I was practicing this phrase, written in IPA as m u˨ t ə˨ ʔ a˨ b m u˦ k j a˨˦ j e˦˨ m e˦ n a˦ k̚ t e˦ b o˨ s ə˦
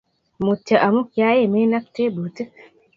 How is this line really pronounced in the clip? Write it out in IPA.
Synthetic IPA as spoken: m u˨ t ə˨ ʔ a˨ m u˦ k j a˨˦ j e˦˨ m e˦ n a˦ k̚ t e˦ b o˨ t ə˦